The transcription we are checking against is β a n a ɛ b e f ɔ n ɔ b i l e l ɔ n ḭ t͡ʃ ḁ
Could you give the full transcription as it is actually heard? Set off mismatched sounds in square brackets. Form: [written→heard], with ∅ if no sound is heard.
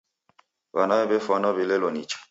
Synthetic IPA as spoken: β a n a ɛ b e f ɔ n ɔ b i l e l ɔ n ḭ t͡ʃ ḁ